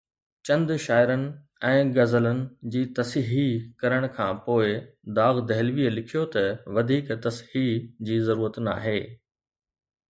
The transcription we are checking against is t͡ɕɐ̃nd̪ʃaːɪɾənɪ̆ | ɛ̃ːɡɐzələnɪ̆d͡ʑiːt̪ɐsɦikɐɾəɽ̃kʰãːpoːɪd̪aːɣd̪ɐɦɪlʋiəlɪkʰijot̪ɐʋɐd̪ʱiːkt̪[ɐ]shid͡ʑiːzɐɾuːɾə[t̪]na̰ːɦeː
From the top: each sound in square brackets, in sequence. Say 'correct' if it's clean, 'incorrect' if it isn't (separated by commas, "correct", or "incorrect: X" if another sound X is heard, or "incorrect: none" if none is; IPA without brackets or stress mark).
correct, correct